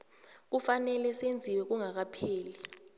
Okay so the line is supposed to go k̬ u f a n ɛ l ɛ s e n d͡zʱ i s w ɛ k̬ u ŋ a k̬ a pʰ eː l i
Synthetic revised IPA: k̬ u f a n ɛ l ɛ s e n d͡zʱ i w ɛ k̬ u ŋ a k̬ a pʰ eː l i